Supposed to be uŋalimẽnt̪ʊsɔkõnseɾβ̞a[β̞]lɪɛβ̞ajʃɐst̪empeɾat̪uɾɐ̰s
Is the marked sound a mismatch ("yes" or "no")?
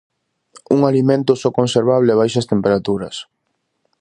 no